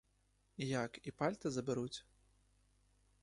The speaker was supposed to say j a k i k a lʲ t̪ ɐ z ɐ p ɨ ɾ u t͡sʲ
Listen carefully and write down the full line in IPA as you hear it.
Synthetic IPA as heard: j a k i p a lʲ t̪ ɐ z ɐ b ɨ ɾ u t͡sʲ